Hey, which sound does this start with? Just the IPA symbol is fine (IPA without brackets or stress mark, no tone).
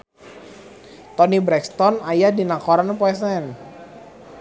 t̪